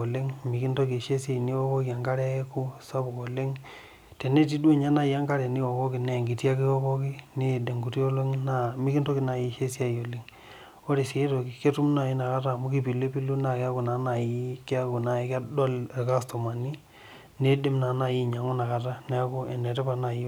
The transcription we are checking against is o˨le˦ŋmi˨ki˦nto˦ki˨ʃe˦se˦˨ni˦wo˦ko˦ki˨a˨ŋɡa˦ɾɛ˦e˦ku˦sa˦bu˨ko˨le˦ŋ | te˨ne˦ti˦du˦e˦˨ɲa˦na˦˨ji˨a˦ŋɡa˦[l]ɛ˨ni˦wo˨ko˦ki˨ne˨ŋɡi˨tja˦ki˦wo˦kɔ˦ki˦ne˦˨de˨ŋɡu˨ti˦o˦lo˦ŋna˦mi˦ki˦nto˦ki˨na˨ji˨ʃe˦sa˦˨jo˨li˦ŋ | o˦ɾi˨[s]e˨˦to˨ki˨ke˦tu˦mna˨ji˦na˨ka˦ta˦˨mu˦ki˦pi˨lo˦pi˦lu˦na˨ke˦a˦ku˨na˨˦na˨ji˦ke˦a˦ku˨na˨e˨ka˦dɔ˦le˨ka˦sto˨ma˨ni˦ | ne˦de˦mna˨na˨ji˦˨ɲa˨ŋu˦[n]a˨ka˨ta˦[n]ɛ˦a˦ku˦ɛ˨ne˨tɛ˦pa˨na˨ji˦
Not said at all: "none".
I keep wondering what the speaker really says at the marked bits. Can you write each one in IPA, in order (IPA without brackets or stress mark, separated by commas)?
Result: ɾ, s, n, n